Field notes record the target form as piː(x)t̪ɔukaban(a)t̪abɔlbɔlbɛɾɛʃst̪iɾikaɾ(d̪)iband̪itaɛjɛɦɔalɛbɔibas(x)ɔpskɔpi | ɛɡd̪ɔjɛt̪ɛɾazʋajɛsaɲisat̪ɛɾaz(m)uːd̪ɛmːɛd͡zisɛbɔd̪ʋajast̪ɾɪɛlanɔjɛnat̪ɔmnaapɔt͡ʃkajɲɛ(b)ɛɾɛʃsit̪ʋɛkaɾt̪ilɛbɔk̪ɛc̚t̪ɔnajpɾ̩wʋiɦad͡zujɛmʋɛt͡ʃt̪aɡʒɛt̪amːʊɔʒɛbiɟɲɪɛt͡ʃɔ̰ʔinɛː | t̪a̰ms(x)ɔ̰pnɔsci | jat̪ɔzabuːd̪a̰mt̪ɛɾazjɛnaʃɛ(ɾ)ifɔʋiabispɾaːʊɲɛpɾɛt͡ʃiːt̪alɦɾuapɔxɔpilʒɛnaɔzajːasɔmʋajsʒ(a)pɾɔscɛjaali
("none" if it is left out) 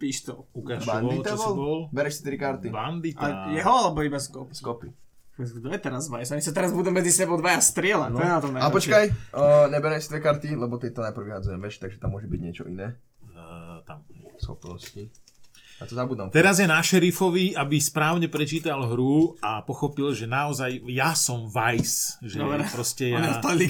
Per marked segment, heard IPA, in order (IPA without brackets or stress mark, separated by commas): ʃ, i, t̪, k, b, b, x, ɾ, ɛ